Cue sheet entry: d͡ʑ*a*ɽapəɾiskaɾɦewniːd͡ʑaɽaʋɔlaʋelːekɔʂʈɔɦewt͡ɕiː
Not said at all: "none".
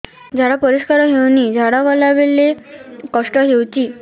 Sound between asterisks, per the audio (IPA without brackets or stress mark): a